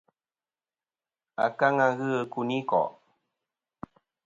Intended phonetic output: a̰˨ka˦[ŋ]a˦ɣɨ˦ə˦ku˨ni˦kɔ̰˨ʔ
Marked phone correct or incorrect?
correct